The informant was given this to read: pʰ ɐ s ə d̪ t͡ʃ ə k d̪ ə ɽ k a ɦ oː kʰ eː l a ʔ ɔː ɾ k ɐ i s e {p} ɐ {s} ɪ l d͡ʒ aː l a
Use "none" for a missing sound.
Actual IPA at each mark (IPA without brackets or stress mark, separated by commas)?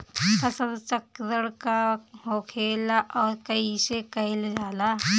k, none